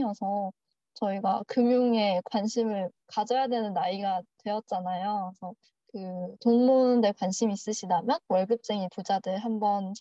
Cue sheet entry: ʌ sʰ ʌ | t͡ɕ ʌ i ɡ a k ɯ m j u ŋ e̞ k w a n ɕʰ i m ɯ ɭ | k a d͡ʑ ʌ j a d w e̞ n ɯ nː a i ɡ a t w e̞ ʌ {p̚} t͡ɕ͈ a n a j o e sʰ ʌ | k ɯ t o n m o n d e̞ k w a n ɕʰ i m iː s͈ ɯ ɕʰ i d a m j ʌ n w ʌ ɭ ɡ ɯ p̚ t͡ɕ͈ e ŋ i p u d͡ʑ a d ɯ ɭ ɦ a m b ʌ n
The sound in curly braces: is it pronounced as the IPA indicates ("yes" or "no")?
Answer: no